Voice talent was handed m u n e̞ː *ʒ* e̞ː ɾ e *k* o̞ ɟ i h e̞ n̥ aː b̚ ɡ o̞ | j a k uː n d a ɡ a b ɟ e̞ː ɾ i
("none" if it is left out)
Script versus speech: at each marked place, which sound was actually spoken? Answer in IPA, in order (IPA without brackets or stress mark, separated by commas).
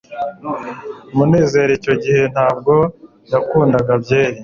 z, c